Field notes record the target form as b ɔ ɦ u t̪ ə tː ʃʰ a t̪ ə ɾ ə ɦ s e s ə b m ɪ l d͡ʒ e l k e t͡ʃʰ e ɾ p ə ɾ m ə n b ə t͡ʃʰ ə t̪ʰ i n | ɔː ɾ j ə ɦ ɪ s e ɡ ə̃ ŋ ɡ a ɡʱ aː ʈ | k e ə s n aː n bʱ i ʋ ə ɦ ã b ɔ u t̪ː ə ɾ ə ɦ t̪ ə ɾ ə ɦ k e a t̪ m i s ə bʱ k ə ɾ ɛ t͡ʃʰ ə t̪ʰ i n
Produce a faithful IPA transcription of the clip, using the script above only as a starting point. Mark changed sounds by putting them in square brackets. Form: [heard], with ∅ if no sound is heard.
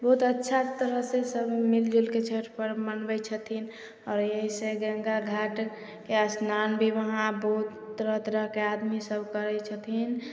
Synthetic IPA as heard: b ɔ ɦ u t̪ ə tː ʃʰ a t̪ ə ɾ ə ɦ s e s ə b m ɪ l d͡ʒ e l k e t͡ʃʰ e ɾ p ə ɾ m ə n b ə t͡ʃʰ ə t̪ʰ i n | ɔː ɾ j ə ɦ [i] s e ɡ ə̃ ŋ ɡ a ɡʱ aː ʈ | k e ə s n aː n bʱ i ʋ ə ɦ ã b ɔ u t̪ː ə ɾ ə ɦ t̪ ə ɾ ə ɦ k e a [d̪] m i s ə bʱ k ə ɾ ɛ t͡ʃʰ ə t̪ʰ i n